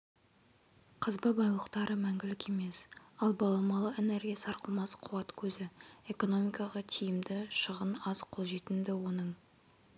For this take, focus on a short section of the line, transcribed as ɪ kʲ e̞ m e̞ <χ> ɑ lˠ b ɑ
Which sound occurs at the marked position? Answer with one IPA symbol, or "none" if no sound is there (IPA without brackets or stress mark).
s